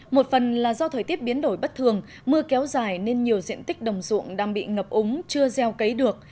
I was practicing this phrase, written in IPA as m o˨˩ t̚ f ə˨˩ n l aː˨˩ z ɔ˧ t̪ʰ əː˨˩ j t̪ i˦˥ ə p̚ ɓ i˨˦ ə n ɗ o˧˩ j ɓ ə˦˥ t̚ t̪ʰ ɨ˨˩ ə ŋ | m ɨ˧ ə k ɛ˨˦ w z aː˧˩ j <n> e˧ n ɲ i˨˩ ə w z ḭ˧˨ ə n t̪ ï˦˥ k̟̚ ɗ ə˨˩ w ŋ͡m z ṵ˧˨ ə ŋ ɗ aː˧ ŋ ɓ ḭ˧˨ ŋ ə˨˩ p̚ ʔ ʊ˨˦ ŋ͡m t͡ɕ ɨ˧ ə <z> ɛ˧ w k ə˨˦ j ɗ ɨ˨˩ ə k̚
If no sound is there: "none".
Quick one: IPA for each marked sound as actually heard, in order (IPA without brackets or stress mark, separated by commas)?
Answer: n, z